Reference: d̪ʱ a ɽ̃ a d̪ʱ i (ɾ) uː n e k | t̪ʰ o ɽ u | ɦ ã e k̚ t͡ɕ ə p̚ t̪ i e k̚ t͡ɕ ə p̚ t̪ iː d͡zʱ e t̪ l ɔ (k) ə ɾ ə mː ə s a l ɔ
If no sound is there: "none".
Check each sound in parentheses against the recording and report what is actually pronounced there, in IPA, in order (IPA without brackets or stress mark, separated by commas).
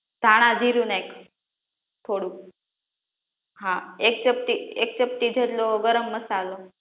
ɾ, ɡ